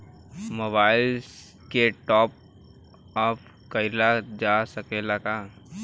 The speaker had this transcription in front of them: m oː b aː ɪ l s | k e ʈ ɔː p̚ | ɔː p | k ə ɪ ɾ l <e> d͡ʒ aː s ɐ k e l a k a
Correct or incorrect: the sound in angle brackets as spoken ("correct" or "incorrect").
incorrect